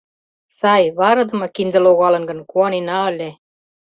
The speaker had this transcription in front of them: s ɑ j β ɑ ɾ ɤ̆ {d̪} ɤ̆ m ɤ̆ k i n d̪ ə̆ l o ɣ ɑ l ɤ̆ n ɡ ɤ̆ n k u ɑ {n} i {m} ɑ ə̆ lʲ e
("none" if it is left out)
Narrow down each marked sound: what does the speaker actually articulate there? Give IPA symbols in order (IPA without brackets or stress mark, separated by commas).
d̪, n, n